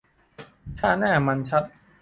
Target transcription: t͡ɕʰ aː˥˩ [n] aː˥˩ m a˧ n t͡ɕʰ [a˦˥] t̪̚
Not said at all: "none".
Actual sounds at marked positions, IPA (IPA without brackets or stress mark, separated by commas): n, a˦˥